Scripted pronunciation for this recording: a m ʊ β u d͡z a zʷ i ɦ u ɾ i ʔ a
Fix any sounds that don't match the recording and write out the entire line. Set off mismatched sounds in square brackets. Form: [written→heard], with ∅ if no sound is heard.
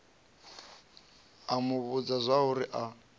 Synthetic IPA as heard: a m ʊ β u d͡z a zʷ [i→a] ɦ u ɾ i ʔ a